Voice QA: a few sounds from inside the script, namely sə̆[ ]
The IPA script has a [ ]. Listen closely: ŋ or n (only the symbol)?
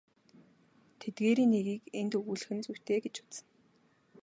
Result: n